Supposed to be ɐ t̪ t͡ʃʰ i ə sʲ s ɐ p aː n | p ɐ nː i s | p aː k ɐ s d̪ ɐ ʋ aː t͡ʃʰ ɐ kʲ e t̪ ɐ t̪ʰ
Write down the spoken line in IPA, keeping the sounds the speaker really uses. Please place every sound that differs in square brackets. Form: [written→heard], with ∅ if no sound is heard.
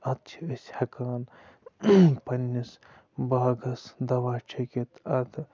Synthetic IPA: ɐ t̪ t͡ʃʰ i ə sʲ [s→h] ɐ [p→k] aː n | p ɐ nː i s | [p→b] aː [k→ɡ] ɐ s d̪ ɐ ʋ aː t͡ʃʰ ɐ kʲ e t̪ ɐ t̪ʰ